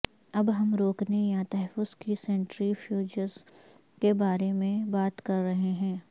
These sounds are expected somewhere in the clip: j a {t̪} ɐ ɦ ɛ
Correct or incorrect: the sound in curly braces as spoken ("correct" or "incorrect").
correct